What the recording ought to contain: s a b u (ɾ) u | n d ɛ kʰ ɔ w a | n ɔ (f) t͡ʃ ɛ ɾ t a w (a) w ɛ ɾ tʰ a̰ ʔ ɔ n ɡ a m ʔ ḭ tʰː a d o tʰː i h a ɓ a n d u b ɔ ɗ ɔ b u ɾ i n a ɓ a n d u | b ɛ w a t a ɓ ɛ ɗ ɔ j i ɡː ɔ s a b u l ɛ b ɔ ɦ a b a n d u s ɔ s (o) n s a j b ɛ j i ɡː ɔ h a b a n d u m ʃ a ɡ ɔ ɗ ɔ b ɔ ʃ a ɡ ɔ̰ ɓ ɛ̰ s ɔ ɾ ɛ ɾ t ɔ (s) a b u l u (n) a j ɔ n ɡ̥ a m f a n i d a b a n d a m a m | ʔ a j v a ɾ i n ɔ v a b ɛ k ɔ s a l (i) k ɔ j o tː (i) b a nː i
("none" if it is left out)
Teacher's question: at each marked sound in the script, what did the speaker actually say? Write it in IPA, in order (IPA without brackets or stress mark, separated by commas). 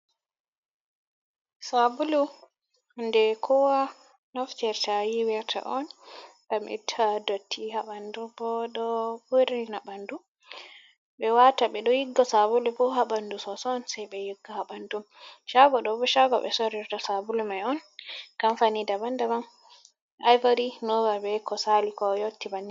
l, f, i, ɔ, s, m, i, i